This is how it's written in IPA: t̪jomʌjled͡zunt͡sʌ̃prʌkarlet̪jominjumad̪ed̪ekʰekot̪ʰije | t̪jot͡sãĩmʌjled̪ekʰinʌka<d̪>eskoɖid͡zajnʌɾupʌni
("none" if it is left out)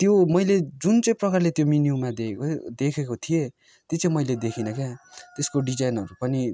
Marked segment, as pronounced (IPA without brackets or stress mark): t̪